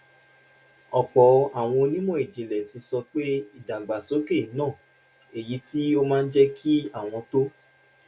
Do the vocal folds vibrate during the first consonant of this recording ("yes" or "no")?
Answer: no